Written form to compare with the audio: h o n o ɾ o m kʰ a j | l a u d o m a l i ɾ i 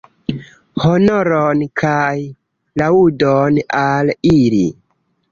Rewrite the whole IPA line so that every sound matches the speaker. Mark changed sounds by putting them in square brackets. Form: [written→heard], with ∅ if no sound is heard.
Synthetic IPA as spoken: h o n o ɾ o [m→n] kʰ a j | l a u d o [m→n] a l i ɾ i